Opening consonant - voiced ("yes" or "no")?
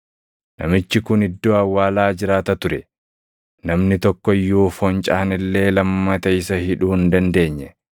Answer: yes